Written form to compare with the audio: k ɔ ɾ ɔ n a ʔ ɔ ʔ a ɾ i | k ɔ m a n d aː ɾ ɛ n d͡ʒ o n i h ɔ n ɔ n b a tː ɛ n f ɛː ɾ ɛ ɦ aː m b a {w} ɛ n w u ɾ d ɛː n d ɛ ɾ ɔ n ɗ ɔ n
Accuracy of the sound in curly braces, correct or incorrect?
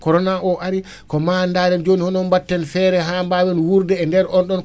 correct